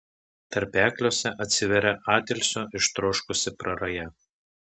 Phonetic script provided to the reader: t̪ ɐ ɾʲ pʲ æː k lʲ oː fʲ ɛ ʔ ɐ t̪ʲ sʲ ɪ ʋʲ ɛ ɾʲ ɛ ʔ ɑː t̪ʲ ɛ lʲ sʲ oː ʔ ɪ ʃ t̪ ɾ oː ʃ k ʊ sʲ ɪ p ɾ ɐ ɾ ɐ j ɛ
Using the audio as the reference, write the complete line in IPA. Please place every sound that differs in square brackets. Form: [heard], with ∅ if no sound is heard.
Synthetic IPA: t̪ ɐ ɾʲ pʲ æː k lʲ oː [sʲ] ɛ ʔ ɐ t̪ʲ sʲ ɪ ʋʲ ɛ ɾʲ ɛ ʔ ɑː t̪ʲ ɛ lʲ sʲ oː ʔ ɪ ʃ t̪ ɾ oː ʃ k ʊ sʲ ɪ p ɾ ɐ ɾ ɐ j ɛ